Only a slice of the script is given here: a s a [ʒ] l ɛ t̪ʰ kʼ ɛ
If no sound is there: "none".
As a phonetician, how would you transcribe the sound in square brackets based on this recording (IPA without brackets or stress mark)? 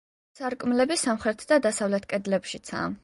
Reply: v